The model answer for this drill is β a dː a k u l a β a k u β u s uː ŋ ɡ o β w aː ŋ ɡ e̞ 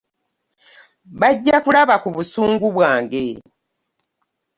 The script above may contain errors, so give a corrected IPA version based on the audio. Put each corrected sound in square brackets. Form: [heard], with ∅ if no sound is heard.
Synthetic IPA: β a [ɟː] a k u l a β a k u β u s uː ŋ ɡ [u] β w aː ŋ ɡ e̞

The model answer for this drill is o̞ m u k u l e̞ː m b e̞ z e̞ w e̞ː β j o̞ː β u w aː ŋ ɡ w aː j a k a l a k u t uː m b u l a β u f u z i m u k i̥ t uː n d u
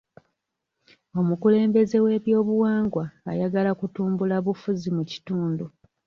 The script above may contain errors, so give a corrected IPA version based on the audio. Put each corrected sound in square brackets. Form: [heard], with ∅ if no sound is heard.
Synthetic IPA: o̞ m u k u l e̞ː m b e̞ z e̞ w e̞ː β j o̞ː β u w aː ŋ ɡ w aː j a [ɡ] a l a k u t uː m b u l a β u f u z i m u [c] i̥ t uː n d u

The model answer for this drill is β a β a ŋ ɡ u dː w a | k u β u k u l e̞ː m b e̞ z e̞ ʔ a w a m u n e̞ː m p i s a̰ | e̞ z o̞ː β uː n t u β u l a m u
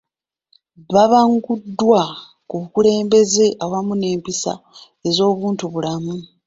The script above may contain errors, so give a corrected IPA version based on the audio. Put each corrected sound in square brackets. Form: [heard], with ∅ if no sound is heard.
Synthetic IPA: β a β a ŋ ɡ u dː w a | k u β u k u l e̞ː m b e̞ z e̞ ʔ a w a m u n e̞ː m p i s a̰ | e̞ z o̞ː β uː n t u β u l a m u

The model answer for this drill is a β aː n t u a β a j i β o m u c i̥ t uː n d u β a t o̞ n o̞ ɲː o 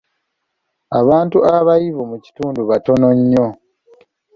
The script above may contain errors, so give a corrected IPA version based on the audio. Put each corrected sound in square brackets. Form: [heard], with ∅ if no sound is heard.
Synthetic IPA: a β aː n t u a β a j i β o m u c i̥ t uː n d u β a t o̞ n o̞ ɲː o

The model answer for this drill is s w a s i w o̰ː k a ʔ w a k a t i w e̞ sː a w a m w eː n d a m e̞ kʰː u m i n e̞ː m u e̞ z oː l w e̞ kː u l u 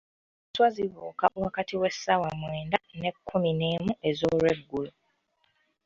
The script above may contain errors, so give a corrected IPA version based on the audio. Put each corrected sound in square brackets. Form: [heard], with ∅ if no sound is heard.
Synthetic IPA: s w a [z] i [β] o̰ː k a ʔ w a k a t i w e̞ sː a w a m w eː n d a [n] e̞ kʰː u m i n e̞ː m u e̞ z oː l w e̞ [ɡː] u l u

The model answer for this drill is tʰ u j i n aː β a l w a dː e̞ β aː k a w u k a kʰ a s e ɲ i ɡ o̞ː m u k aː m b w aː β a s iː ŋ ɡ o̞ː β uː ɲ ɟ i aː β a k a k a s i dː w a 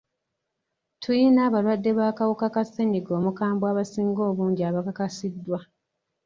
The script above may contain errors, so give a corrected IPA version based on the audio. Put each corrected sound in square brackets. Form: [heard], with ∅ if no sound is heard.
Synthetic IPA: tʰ u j i n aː β a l w a dː e̞ β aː k a w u k a [k] a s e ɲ i ɡ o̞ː m u k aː m b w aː β a s iː ŋ ɡ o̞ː β uː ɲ ɟ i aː β a k a k a s i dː w a

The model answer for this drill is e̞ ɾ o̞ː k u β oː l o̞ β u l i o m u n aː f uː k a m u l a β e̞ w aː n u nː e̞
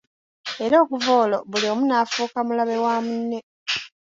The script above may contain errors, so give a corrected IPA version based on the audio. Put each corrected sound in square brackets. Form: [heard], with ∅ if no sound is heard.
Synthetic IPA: e̞ ɾ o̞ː k u [v] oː l o̞ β u l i o m u n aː f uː k a m u l a β e̞ w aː [m] u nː e̞

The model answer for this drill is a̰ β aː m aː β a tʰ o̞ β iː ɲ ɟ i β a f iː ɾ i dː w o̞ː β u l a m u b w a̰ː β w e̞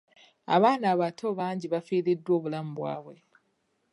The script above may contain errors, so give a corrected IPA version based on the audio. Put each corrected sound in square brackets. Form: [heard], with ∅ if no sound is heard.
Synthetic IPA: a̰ β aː [n] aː β a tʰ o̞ β [aː] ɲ ɟ i β a f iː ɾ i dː w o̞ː β u l a m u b w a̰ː β w e̞

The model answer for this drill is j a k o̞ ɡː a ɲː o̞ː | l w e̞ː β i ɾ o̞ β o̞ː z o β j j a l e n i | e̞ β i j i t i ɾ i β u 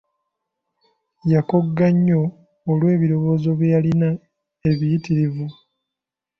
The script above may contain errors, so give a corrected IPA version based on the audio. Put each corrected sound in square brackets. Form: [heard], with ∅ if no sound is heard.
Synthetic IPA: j a k o̞ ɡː a ɲː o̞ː | l w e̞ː β i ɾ o̞ β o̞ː z o β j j a l [i] n [a] | e̞ β i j i t i ɾ i [v] u

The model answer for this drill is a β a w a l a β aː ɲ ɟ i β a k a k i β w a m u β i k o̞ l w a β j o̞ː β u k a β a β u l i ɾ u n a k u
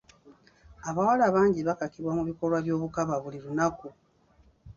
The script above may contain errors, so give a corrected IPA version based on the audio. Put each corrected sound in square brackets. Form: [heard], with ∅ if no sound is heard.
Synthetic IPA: a β a w a l a β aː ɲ ɟ i β a k a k i β w a m u β i k o̞ l w a β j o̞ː β u k a β a β u l i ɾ u n a k u

